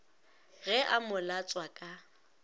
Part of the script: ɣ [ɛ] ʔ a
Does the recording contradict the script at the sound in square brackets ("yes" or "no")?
no